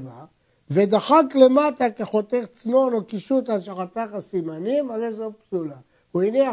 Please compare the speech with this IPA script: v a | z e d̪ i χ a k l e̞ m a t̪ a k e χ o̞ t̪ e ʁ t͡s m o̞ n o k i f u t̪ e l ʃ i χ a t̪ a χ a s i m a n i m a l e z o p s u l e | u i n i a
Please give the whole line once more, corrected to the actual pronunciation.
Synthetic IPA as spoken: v a | v e d̪ a χ a k l e̞ m a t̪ a k e χ o̞ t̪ e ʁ t͡s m o̞ n o k i ʃ u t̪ a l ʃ a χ a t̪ a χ a s i m a n i m a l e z o p s u l a | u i n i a